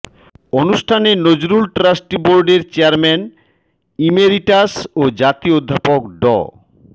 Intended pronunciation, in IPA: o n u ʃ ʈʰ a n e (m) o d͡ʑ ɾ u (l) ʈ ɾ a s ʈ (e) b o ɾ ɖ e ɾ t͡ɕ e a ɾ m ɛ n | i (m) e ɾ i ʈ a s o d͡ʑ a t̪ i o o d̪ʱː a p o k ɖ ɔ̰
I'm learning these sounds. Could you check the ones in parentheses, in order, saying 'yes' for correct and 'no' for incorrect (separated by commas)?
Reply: no, yes, no, yes